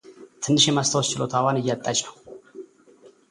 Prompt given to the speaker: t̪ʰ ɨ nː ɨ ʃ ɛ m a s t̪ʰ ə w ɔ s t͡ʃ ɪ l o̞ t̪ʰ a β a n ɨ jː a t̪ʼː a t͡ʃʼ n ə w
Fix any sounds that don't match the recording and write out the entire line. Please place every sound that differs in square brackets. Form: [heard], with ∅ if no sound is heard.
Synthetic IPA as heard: t̪ʰ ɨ nː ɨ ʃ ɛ m a s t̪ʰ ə w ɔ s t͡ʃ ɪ l o̞ t̪ʰ a [w] a n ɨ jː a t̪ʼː a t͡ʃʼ n ə w